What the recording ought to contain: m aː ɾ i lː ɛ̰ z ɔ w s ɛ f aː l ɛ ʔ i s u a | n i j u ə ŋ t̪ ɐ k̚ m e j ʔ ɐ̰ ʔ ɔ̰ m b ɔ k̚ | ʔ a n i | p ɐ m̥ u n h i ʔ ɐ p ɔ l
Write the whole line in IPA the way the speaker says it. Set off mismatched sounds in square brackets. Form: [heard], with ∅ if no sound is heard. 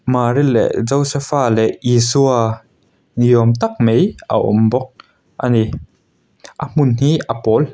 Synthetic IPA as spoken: m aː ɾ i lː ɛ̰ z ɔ w s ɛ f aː l ɛ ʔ i s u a | n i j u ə [m] t̪ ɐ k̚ m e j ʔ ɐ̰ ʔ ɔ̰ m b ɔ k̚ | ʔ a n i | [ʔ] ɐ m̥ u n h i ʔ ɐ p ɔ l